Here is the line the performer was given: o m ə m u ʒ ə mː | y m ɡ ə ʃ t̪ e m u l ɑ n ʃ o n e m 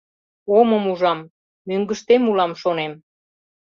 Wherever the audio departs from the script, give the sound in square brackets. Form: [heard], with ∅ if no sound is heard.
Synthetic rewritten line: o m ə m u ʒ [ɑ] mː | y [ŋ] ɡ ə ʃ t̪ e m u l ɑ [m] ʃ o n e m